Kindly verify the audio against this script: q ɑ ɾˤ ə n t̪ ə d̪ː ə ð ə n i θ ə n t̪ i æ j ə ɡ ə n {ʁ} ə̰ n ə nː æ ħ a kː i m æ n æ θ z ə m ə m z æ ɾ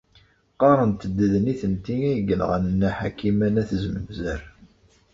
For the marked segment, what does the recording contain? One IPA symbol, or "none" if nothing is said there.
ʁ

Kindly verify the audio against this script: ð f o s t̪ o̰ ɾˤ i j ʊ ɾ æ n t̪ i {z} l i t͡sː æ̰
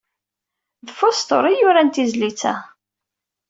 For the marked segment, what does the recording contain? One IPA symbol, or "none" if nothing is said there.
z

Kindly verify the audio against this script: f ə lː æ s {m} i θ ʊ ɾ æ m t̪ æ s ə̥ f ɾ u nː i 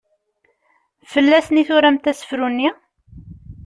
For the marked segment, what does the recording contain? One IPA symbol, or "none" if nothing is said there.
n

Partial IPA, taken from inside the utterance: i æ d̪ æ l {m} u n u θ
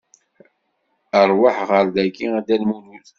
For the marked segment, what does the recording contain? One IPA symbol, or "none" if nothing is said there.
m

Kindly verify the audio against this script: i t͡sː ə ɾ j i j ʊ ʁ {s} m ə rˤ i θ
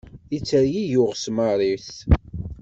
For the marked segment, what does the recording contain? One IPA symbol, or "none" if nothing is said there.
s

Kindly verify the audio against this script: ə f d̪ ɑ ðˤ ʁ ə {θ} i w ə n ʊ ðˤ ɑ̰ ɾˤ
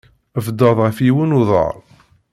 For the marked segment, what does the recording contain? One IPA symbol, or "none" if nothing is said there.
f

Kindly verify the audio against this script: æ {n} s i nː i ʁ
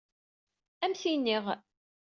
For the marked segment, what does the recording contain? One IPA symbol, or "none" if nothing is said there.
m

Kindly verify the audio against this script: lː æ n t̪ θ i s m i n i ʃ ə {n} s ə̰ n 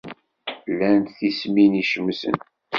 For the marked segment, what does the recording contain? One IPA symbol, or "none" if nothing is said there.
m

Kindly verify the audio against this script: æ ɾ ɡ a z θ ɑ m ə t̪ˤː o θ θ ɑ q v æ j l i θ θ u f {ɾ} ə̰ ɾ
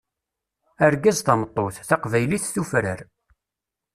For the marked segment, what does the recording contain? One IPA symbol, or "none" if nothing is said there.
ɾ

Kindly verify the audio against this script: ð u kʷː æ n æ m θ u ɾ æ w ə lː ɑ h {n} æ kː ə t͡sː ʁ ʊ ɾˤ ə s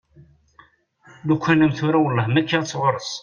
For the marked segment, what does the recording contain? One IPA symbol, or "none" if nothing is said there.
m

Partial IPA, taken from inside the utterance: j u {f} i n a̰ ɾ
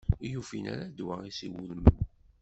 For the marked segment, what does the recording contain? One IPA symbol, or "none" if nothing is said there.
f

